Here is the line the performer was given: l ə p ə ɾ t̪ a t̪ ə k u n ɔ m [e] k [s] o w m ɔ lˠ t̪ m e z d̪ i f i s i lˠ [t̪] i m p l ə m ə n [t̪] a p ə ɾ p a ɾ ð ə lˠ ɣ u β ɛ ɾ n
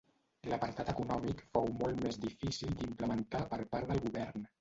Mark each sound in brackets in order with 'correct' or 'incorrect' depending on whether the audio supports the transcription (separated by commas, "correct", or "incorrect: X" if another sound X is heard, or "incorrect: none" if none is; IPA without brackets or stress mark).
incorrect: i, incorrect: f, incorrect: d̪, correct